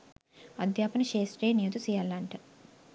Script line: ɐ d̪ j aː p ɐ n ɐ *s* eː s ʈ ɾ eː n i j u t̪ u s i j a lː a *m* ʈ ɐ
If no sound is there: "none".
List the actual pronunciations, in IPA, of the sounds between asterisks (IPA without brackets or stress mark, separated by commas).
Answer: ʃ, ɳ